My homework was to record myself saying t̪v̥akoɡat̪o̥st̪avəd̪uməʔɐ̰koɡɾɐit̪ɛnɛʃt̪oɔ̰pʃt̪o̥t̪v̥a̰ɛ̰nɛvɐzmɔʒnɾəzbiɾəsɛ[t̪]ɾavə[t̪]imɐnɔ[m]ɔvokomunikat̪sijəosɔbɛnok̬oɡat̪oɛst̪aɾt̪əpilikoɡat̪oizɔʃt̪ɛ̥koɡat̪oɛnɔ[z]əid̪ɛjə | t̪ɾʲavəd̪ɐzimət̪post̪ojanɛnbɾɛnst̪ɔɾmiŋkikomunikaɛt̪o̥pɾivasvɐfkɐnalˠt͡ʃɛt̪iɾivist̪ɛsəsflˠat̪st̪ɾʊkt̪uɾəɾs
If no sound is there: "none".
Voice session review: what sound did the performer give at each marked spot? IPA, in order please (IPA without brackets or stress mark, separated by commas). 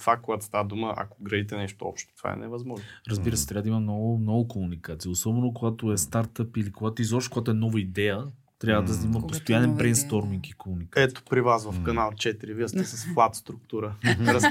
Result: t̪, d̪, n, v